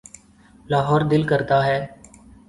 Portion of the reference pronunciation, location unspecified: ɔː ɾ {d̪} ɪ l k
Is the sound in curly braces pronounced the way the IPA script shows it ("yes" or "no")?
yes